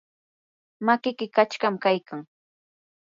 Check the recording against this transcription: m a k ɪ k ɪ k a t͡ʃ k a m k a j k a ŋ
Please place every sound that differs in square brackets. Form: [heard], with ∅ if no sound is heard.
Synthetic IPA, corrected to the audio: m a k ɪ k ɪ k a t͡ʃ k a m k a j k a ŋ